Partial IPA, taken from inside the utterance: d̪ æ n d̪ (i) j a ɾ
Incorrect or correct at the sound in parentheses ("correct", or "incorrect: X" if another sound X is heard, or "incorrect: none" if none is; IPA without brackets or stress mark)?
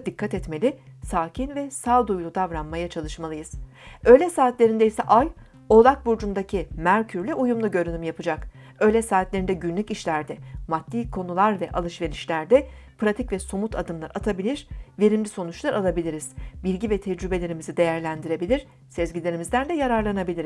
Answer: incorrect: ɛ